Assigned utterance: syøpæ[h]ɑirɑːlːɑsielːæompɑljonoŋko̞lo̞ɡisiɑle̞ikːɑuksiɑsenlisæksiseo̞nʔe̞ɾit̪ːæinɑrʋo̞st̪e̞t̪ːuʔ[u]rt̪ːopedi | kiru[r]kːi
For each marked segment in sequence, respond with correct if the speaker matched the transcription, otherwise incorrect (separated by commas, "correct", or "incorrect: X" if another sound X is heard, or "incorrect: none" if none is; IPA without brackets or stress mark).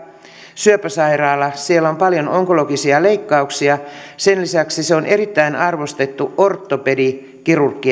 incorrect: s, incorrect: o, correct